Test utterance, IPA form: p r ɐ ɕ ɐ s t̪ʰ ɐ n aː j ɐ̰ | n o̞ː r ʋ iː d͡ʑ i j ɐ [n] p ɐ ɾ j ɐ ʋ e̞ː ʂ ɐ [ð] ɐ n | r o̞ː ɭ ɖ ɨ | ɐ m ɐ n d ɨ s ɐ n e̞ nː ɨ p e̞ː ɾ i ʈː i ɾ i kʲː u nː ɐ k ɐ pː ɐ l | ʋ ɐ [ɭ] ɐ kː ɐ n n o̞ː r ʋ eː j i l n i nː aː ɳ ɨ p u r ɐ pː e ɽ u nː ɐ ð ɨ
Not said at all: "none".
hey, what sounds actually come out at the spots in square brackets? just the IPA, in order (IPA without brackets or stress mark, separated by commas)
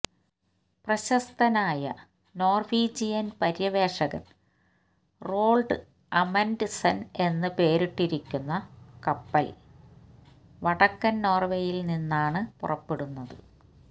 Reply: n, ɣ, ɽ